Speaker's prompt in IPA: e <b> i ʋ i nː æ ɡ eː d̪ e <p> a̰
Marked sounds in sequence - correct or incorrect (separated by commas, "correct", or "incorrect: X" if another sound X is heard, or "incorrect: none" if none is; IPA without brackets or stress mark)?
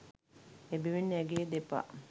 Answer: correct, correct